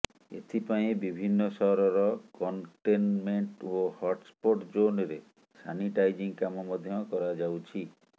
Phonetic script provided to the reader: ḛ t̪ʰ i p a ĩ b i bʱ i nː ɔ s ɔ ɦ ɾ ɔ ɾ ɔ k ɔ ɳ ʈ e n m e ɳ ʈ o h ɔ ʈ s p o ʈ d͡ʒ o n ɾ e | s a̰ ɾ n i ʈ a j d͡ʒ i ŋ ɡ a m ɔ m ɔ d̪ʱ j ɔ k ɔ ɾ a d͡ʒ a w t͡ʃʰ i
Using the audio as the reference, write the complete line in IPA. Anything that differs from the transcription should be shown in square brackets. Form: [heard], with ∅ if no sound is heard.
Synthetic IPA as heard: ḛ t̪ʰ i p a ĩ b i bʱ i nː ɔ s ɔ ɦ ɾ ɔ ɾ ɔ k ɔ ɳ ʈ e n m e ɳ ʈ o h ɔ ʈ s p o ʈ d͡ʒ o n ɾ e | s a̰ [∅] n i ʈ a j d͡ʒ i ŋ [k] a m ɔ m ɔ d̪ʱ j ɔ k ɔ ɾ a d͡ʒ a w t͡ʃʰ i